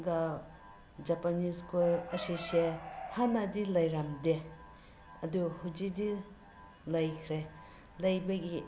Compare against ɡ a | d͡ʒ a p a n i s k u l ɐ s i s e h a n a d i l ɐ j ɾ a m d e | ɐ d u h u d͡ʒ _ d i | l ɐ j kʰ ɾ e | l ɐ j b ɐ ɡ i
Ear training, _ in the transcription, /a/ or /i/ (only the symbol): i